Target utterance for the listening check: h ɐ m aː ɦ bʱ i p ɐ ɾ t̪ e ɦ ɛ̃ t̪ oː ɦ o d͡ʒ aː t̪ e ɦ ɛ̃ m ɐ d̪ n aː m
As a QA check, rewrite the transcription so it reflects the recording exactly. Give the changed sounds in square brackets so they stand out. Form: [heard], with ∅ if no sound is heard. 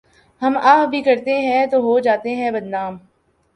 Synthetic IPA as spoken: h ɐ m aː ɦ bʱ i [k] ɐ ɾ t̪ e ɦ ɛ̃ t̪ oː ɦ o d͡ʒ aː t̪ e ɦ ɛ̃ [b] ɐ d̪ n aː m

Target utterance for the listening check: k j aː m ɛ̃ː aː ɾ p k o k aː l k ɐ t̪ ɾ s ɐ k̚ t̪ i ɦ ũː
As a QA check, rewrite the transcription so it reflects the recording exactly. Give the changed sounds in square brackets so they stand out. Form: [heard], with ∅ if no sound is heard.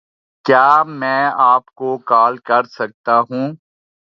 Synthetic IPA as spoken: k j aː m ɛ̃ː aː [∅] p k o k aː l k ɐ [∅] ɾ s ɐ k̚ t̪ [a] ɦ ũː

